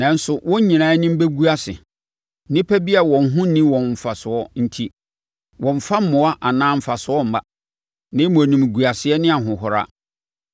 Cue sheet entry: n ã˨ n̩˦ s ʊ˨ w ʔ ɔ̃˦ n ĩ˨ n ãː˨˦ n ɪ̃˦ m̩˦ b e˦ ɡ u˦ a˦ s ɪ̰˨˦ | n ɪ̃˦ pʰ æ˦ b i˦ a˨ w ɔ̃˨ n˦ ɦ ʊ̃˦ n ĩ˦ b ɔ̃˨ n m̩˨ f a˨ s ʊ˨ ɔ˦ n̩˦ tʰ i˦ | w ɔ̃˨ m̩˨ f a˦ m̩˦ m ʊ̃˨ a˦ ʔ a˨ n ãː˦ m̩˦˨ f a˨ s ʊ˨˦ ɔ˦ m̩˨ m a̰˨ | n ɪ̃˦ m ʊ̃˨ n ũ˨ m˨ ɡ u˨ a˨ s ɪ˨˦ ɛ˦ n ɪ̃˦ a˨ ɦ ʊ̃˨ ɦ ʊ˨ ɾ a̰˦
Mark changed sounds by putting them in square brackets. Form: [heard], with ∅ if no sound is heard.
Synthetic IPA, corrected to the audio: n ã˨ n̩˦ s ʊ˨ w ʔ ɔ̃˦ [ɲ] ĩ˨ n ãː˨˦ n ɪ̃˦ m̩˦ b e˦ ɡ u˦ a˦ s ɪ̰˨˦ | n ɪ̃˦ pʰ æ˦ b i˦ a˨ w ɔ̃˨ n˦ ɦ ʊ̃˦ n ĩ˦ [w] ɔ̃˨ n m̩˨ f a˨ s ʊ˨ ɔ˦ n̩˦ tʰ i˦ | w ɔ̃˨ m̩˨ f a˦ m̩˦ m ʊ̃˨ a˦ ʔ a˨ n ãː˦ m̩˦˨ f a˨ s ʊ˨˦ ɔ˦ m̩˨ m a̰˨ | n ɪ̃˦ m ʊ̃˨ n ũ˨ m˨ ɡ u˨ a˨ s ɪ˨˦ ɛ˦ n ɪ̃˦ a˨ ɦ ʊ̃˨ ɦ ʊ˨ ɾ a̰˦